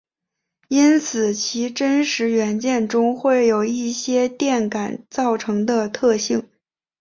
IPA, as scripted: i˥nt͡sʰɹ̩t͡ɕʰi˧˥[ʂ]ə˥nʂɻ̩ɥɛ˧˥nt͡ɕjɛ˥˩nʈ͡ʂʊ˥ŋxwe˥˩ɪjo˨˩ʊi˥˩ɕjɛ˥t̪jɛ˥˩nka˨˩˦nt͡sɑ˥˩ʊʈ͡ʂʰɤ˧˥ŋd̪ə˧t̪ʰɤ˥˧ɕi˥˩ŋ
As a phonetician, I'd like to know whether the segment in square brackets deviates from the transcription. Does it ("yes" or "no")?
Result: yes